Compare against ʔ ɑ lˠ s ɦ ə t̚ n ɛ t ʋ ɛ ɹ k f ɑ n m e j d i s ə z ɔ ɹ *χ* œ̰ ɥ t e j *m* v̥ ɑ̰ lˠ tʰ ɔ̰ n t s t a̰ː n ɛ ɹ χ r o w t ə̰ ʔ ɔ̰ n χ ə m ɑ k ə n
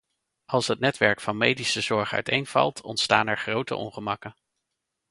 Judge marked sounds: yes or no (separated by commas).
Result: yes, no